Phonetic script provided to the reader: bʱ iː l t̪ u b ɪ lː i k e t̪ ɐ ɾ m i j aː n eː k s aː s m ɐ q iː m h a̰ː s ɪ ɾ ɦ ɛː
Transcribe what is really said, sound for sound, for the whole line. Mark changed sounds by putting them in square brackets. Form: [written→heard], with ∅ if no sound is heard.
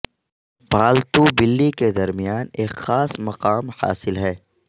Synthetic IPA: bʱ [iː→aː] l t̪ u b ɪ lː i k e [t̪→d̪] ɐ ɾ m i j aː n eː k [s→x] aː s m ɐ q [iː→aː] m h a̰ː s ɪ [ɾ→l] ɦ ɛː